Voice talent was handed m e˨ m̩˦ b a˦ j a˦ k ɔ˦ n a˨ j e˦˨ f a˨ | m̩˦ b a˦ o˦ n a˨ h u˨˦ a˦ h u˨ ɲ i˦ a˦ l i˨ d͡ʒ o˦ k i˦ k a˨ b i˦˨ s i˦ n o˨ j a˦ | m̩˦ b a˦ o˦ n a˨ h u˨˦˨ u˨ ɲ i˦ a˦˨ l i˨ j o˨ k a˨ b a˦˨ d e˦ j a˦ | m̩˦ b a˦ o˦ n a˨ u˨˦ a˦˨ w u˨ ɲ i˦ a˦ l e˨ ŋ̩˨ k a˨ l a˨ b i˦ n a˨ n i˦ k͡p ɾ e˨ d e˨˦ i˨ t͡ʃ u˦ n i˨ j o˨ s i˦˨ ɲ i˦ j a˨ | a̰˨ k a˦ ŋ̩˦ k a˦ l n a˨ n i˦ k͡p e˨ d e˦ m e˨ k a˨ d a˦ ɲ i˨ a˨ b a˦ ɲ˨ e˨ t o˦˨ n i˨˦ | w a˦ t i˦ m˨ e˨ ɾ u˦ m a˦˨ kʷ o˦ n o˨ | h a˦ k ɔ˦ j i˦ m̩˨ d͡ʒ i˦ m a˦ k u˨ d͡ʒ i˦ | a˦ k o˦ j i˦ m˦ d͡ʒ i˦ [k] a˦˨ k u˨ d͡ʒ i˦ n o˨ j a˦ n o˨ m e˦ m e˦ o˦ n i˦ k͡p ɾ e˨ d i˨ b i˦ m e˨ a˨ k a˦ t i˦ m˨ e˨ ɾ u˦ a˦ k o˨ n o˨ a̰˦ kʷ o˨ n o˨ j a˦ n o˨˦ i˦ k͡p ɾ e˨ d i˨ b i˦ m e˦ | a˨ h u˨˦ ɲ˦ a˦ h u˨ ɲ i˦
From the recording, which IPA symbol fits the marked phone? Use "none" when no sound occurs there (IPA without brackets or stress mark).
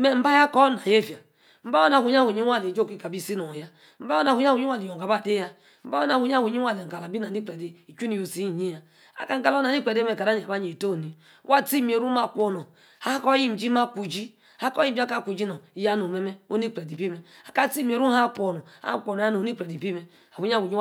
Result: k